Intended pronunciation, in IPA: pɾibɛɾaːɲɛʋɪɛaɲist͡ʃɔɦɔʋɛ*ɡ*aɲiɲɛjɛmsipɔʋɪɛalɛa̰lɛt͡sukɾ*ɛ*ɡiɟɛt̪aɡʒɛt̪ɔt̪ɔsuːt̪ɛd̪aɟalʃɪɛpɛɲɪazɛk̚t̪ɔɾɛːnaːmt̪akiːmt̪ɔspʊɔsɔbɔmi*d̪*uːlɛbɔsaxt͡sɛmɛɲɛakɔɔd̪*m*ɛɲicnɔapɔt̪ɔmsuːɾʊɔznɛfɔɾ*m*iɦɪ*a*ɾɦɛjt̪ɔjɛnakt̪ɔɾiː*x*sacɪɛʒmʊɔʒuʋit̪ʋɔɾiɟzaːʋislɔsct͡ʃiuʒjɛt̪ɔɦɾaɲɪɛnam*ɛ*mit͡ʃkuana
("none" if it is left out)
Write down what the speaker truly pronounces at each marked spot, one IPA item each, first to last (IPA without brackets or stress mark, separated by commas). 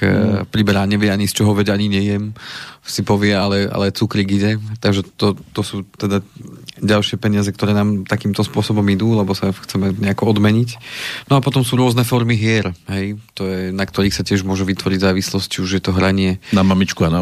ɟ, i, d̪, m, m, ɛ, x, a